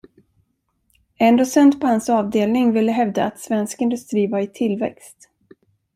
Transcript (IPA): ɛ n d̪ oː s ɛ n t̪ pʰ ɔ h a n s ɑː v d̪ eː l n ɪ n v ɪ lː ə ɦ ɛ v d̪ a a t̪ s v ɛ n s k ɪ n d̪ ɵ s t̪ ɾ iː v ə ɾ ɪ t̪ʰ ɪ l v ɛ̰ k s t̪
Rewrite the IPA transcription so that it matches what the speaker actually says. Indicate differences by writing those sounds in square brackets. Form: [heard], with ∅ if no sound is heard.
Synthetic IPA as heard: ɛ n d̪ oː s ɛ n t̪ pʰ ɔ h a n s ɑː v d̪ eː l n ɪ [ŋ] v ɪ lː ə ɦ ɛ v d̪ a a t̪ s v ɛ n s k ɪ n d̪ ɵ s t̪ ɾ iː v [a] ɾ ɪ t̪ʰ ɪ l v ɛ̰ k s t̪